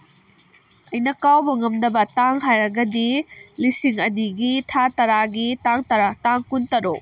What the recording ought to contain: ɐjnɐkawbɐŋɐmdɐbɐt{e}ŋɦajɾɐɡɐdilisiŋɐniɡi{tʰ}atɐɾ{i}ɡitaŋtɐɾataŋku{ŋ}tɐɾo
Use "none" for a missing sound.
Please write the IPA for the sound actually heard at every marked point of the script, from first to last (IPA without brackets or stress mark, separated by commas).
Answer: a, tʰ, a, n